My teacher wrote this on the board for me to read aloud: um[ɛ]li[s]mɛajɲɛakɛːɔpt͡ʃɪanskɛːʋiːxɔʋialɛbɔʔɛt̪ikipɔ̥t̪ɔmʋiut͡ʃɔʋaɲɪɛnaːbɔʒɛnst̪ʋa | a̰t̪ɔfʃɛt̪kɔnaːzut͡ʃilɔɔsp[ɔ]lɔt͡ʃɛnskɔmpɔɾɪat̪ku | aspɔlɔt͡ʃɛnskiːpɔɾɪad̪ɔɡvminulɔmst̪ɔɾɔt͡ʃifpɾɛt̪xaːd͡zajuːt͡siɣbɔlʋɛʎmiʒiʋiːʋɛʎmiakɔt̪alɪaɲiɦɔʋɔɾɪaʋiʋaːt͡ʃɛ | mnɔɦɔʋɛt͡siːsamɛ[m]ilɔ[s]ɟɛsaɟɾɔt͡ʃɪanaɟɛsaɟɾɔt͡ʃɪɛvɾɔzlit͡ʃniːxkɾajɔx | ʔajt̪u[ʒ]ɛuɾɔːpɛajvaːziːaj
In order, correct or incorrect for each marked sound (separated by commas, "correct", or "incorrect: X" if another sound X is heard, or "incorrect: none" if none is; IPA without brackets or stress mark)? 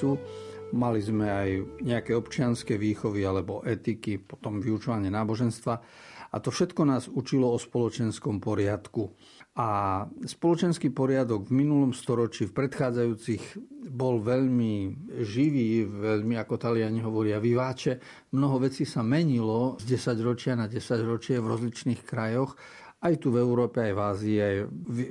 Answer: incorrect: a, incorrect: z, correct, incorrect: ɲ, incorrect: z, incorrect: v